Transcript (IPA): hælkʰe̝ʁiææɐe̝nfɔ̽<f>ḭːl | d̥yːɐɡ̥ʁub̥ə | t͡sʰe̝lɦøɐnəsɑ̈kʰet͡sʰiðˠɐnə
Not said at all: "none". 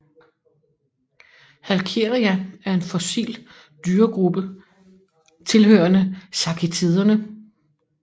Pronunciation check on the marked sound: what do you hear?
s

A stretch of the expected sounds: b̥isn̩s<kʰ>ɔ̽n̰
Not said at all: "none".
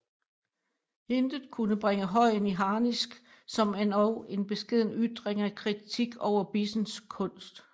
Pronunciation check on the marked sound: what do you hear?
kʰ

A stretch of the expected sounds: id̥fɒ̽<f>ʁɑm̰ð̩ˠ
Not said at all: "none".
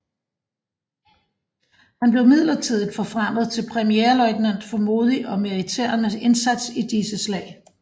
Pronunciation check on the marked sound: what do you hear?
f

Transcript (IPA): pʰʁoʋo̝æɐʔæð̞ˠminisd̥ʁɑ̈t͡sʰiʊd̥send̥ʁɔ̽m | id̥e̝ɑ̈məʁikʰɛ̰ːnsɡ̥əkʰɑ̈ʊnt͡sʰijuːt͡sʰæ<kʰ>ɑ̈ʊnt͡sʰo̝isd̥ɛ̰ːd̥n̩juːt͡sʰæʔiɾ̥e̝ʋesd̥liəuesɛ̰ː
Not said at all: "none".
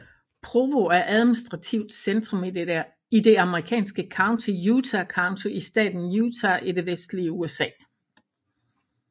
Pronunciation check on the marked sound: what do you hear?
kʰ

